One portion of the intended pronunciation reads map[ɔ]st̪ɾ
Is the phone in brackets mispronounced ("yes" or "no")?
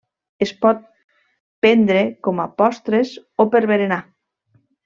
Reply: no